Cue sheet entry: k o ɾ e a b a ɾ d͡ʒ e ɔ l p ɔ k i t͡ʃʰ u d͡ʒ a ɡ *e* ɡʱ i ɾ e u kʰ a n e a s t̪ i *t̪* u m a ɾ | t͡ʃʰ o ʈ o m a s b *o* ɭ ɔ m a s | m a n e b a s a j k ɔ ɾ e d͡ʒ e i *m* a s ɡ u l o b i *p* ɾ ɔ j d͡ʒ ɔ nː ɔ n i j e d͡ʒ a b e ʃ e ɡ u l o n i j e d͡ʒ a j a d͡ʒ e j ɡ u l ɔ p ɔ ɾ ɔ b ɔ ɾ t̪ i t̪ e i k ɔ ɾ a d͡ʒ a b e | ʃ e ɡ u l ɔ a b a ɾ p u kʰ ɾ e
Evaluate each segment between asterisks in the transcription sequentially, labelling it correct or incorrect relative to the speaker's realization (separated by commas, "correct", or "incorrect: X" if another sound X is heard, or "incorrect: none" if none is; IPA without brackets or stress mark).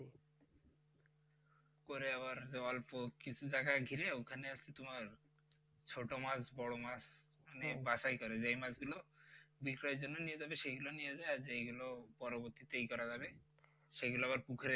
incorrect: a, correct, incorrect: ɔ, correct, incorrect: k